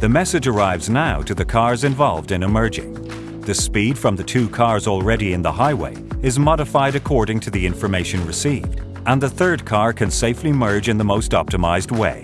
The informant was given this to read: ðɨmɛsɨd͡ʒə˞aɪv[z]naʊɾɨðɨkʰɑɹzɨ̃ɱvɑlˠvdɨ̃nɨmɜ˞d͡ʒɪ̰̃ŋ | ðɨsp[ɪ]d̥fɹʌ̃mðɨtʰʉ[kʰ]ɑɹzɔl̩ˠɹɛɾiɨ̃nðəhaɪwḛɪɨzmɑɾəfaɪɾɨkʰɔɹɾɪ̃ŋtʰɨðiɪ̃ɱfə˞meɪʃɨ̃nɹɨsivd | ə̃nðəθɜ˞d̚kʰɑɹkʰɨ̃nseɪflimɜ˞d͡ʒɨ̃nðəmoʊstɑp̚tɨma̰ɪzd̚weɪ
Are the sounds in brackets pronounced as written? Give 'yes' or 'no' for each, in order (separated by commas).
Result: yes, no, yes